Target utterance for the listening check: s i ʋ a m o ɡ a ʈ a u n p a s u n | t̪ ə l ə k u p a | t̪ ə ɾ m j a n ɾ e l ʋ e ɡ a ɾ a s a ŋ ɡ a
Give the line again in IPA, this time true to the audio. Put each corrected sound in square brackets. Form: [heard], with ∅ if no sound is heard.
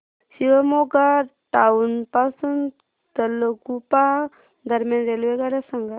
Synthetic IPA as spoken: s i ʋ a m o ɡ a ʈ a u n p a s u n | t̪ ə l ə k u p a | [d̪] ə ɾ m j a n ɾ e l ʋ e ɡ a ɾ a s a ŋ ɡ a

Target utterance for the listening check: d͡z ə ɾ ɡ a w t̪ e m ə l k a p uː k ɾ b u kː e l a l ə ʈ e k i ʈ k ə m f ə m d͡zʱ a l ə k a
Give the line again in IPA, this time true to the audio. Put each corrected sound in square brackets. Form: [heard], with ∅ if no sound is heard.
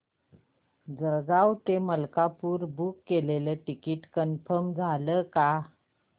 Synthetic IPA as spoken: d͡z ə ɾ ɡ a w t̪ e m ə l k a p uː [∅] ɾ b u kː e l [e] l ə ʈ [i] k i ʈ k ə [n] f ə m d͡zʱ a l ə k a

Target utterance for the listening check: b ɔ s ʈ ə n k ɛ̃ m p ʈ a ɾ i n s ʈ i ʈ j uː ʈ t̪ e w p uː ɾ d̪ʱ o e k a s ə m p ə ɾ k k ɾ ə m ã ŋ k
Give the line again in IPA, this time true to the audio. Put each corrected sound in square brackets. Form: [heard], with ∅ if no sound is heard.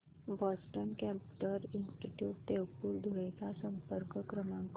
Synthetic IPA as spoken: b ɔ s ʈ ə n k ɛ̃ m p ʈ [ə] ɾ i n s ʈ i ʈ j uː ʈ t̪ e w p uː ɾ d̪ʱ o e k a s ə m p ə ɾ k k ɾ ə m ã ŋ k

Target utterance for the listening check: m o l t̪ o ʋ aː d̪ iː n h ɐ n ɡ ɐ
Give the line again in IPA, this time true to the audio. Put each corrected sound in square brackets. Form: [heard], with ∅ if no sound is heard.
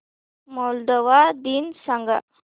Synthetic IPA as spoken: m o l [d̪] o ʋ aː d̪ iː n [s] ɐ [ŋ] ɡ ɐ

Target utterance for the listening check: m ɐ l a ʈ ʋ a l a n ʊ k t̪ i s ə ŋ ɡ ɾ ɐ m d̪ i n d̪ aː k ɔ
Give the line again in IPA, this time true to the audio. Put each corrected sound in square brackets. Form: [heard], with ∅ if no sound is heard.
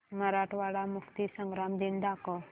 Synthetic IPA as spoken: m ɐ [ɾ] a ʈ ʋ a [ɽ] a [m] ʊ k t̪ i s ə ŋ ɡ ɾ [a] m d̪ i n d̪ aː k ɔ

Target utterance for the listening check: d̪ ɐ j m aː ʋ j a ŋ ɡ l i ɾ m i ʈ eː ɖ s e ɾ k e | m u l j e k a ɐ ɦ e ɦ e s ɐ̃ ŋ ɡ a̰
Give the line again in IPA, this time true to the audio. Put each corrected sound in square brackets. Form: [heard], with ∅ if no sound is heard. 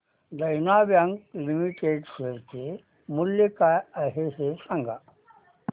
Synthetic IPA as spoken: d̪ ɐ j [n] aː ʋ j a ŋ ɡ l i [∅] m i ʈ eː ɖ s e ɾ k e | m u l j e k a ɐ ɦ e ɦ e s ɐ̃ ŋ ɡ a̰

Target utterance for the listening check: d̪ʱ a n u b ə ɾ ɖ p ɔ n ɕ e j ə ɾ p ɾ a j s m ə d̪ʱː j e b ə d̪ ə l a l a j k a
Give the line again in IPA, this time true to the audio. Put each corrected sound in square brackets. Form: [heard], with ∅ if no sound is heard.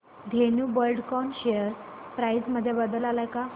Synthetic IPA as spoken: d̪ʱ [e] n u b ə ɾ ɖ [k] ɔ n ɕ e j ə ɾ p ɾ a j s m ə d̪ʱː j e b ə d̪ ə l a l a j k a

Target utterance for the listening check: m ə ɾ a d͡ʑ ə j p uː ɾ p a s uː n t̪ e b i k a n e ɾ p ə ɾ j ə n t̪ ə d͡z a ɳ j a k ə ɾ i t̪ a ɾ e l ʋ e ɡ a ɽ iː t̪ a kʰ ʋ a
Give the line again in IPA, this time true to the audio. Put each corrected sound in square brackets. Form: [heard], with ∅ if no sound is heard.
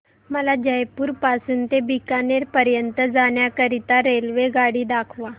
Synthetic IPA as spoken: m ə [l] a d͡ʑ ə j p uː ɾ p a s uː n t̪ e b i k a n e ɾ p ə ɾ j ə n t̪ ə d͡z a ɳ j a k ə ɾ i t̪ a ɾ e l ʋ e ɡ a ɽ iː [d̪] a kʰ ʋ a

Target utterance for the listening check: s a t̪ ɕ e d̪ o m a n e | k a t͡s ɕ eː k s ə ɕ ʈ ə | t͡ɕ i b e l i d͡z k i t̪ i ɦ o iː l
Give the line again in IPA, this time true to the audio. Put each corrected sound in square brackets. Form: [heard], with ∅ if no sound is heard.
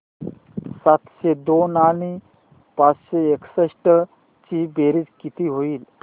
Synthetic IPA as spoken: s a t̪ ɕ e d̪ o [n] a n [i] | [p] a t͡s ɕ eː k s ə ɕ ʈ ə | t͡ɕ i b e [ɾ] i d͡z k i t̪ i ɦ o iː l

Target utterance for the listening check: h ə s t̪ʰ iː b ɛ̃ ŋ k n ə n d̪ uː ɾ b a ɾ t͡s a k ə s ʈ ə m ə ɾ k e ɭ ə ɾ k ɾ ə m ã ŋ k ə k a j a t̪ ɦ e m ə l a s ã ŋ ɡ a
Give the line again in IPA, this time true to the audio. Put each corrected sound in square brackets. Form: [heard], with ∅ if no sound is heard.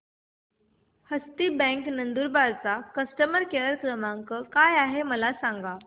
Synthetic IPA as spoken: h ə s [t̪] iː b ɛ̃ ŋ k n ə n d̪ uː ɾ b a ɾ t͡s a k ə s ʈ ə m ə ɾ k e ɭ ə ɾ k ɾ ə m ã ŋ k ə k a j a [∅] ɦ e m ə l a s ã ŋ ɡ a

